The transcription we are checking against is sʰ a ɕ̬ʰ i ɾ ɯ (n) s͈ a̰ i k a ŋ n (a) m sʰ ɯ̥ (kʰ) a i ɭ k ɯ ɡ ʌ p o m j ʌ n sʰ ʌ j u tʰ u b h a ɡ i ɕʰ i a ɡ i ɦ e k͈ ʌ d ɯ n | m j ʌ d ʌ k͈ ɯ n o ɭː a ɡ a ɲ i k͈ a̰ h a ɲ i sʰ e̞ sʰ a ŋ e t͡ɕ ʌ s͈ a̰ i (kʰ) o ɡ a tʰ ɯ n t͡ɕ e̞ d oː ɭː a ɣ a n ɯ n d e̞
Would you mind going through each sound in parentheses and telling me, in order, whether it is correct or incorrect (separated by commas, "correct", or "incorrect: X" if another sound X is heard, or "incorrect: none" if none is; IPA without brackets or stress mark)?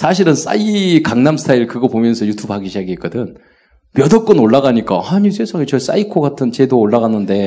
correct, correct, incorrect: tʰ, correct